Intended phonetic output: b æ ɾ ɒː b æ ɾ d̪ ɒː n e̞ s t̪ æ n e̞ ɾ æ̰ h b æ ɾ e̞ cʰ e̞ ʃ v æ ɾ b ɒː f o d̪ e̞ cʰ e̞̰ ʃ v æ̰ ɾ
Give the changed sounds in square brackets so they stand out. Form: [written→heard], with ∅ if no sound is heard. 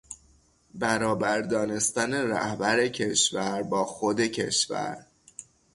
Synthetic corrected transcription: b æ ɾ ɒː b æ ɾ d̪ ɒː n e̞ s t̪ æ n e̞ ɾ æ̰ h b æ ɾ e̞ cʰ e̞ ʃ v æ ɾ b ɒː [f→x] o d̪ e̞ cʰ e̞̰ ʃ v æ̰ ɾ